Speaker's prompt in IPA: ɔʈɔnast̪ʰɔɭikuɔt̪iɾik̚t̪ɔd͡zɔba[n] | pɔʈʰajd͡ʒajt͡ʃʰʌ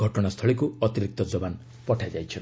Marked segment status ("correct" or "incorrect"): correct